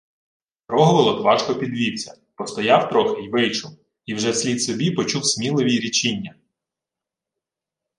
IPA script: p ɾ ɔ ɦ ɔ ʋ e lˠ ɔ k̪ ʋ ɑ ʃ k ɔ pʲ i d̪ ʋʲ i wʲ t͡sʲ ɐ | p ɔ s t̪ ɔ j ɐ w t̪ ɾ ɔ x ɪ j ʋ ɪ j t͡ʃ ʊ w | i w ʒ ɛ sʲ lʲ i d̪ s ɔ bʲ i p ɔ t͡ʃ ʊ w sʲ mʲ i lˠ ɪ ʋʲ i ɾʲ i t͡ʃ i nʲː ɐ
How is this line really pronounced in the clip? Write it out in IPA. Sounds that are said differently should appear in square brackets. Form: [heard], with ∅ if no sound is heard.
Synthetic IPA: p ɾ ɔ ɦ ɔ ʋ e lˠ ɔ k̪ ʋ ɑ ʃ k ɔ pʲ i d̪ ʋʲ i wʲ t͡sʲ ɐ | p ɔ s t̪ ɔ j [ɑ] w t̪ ɾ ɔ x ɪ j ʋ ɪ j t͡ʃ ʊ w | i w ʒ ɛ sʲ lʲ i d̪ s ɔ bʲ i p ɔ t͡ʃ [u] w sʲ mʲ i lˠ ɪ ʋʲ i ɾʲ i t͡ʃ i nʲː ɐ